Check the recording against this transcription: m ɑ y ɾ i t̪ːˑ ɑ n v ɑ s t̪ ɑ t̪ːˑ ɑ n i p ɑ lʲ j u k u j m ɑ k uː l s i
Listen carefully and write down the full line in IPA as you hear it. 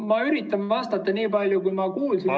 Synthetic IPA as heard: m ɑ y ɾ i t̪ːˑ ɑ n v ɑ s t̪ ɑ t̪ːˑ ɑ n iː p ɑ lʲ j u k u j m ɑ k uː l s i